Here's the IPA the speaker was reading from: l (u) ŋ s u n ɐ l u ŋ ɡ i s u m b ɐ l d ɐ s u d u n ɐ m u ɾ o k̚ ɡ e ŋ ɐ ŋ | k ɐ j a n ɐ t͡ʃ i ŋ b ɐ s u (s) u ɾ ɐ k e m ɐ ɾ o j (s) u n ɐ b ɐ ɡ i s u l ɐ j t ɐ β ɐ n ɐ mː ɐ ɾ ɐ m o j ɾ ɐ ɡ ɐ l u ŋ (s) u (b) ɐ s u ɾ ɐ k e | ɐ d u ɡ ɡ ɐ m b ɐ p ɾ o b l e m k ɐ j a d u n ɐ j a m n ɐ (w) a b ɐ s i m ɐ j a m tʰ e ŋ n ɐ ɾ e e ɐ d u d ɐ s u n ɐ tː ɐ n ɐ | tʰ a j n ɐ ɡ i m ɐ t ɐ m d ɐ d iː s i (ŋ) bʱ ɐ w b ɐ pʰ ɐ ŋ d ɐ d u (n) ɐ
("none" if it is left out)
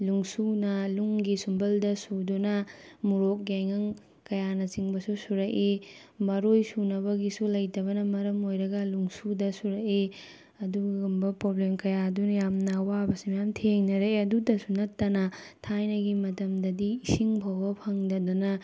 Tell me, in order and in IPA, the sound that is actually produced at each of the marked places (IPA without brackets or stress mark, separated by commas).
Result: u, s, s, s, d, w, ŋ, n